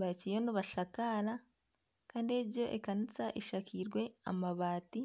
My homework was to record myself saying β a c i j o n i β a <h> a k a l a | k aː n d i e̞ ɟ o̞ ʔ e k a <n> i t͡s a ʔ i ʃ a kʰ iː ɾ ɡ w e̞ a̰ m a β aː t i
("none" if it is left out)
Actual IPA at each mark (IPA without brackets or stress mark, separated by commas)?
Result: ʃ, n